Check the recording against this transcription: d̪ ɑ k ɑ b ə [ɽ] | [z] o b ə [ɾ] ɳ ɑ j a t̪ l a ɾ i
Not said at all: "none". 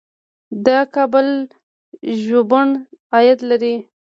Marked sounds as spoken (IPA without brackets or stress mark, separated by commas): l, ʒ, none